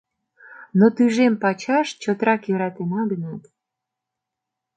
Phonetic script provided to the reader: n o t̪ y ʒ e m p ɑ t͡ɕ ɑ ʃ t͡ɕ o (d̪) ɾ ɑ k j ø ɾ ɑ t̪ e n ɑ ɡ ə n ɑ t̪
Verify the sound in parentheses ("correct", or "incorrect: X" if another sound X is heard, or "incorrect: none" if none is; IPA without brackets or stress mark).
incorrect: t̪